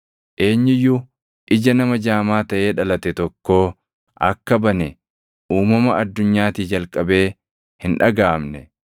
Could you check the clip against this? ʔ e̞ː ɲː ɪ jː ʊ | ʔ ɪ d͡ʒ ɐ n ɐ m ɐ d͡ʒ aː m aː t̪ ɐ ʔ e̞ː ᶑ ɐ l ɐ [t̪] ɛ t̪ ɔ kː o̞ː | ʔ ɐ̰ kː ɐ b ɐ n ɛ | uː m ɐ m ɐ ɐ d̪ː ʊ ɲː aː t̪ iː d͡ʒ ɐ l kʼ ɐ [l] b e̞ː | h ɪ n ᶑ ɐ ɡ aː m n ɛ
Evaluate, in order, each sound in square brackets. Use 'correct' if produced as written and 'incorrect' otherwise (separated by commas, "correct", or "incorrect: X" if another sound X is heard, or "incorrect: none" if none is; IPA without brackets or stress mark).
correct, incorrect: none